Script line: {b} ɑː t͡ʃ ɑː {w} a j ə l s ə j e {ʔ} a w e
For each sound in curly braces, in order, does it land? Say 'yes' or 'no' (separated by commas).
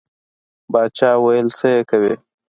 yes, yes, no